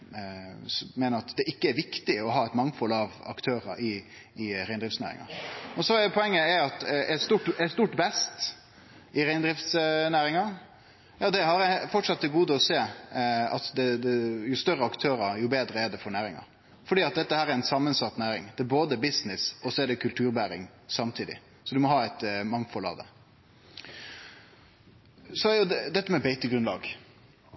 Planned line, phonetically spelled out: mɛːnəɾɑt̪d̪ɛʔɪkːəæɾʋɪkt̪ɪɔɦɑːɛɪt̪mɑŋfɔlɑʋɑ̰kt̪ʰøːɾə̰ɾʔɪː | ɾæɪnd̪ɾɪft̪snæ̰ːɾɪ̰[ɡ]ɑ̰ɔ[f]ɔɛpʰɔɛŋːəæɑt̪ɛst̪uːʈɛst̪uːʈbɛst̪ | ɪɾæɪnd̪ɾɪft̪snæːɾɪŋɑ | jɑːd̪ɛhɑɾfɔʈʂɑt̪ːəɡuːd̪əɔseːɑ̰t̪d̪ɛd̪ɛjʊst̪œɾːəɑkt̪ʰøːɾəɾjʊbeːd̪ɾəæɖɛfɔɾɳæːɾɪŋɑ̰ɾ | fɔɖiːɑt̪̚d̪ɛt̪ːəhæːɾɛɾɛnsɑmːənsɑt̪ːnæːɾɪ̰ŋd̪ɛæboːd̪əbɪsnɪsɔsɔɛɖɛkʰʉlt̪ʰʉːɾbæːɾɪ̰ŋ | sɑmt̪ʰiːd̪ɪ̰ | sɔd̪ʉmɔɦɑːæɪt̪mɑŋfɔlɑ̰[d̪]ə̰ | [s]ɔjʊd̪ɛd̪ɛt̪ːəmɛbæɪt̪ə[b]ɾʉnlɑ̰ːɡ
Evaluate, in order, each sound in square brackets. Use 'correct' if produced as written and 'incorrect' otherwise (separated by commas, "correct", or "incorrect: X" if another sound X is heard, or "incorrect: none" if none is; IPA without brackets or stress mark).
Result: incorrect: ŋ, incorrect: s, correct, correct, incorrect: ɡ